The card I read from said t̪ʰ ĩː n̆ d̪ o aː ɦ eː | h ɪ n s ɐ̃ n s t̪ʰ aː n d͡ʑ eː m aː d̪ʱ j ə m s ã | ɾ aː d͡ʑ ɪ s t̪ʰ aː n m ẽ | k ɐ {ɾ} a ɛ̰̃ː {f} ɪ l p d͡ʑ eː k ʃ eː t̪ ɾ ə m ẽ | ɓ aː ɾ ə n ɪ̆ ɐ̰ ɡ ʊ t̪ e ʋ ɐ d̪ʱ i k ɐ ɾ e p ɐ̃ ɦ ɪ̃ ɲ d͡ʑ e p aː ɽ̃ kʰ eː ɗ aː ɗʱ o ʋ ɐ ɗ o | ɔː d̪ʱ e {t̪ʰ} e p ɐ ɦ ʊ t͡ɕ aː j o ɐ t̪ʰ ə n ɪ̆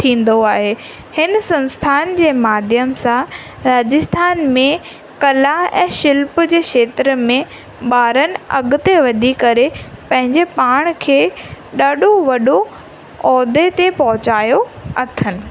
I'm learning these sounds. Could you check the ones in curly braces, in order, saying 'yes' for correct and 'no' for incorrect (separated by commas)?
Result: no, no, no